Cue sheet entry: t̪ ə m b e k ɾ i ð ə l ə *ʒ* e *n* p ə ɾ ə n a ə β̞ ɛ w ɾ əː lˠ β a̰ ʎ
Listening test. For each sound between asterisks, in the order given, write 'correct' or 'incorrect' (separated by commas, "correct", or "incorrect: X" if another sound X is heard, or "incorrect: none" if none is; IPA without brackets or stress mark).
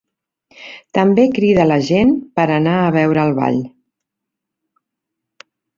correct, correct